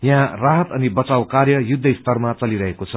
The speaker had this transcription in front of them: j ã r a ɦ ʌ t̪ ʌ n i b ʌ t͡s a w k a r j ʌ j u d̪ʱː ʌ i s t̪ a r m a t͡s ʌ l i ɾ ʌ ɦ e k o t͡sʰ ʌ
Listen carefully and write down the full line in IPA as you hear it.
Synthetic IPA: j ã r a ɦ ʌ t̪ ʌ n i b ʌ t͡s a w k a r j ʌ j u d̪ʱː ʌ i s t̪ ʌ r m a t͡s ʌ l i ɾ ʌ ɦ e k o t͡sʰ ʌ